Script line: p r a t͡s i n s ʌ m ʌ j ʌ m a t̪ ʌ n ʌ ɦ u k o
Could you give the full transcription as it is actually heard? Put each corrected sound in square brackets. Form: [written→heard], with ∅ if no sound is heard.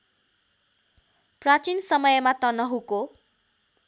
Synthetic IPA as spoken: p r a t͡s i n s ʌ m ʌ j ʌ m a t̪ ʌ n ʌ ɦ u k o